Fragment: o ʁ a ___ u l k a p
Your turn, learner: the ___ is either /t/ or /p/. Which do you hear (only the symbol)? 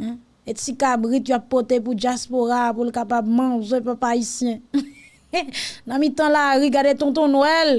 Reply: p